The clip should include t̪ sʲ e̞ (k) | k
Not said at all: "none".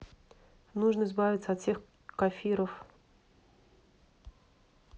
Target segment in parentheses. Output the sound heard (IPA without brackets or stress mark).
x